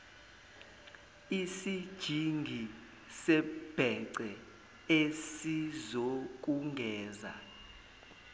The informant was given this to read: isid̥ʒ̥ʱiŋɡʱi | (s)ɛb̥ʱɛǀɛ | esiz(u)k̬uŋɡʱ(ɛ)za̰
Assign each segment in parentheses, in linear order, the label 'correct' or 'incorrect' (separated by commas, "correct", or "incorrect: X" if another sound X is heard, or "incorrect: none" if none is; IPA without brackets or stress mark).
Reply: correct, incorrect: o, incorrect: ɛː